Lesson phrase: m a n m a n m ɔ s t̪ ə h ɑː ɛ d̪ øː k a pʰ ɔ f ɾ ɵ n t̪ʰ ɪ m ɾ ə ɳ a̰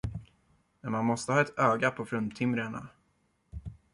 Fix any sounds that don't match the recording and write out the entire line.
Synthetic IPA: m ɛ n m a n m ɔ s t̪ ə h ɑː ɛ t̪ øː ɡ a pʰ ɔ f ɾ ɵ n t̪ʰ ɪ m ɾ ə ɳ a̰